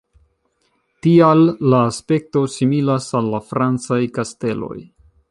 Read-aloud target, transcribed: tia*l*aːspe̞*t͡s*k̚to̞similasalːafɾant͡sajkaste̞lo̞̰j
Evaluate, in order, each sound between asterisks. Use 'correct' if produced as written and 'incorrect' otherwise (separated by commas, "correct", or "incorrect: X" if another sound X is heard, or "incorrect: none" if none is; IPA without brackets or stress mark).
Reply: incorrect: lː, incorrect: none